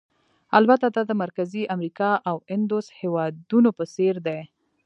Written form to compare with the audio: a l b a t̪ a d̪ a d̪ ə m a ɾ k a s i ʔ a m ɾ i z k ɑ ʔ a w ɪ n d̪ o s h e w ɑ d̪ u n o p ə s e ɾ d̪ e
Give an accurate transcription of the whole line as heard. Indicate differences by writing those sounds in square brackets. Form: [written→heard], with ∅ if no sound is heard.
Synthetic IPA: a l b a t̪ a d̪ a d̪ ə m a ɾ k a [s→z] i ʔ a m ɾ i [z→∅] k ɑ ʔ a w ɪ n d̪ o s h e w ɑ d̪ u n o p ə s e ɾ d̪ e